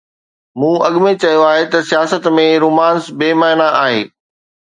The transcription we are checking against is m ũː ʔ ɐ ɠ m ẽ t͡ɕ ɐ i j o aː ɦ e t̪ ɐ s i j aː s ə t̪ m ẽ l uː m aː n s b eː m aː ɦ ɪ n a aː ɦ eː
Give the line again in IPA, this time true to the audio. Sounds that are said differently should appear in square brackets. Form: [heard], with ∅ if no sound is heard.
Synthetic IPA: m ũː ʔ ɐ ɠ m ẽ t͡ɕ ɐ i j o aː ɦ e t̪ ɐ s i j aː s ə t̪ m ẽ [ɾ] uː m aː n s b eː m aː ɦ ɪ n a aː ɦ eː